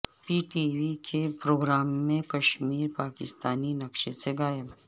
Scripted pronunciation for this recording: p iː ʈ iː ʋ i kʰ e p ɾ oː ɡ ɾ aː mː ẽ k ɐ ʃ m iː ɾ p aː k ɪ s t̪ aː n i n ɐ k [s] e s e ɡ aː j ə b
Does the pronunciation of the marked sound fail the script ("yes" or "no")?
yes